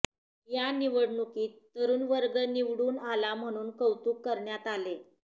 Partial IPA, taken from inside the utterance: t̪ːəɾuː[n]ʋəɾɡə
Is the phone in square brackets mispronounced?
no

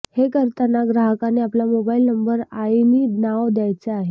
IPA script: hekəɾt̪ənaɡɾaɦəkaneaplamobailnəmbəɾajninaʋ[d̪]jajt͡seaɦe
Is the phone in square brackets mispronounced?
no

